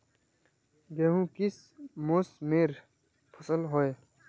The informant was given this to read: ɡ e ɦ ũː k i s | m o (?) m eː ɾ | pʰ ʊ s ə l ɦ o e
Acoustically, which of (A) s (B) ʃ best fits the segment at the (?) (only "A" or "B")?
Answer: A